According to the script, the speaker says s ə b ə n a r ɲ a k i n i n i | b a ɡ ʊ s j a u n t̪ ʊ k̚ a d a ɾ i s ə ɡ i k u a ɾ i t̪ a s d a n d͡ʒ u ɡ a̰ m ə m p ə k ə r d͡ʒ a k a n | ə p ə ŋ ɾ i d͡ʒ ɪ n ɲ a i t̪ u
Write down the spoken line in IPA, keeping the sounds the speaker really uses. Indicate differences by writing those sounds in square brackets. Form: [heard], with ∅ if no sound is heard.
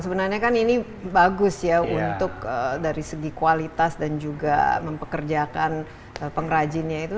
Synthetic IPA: s ə b ə n a r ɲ a k [a] n i n i | b a ɡ ʊ s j a u n t̪ ʊ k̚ [ə] d a ɾ i s ə ɡ i k u a [l] i t̪ a s d a n d͡ʒ u ɡ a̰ m ə m p ə k ə r d͡ʒ a k a n | ə p ə ŋ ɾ [a] d͡ʒ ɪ n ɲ a i t̪ u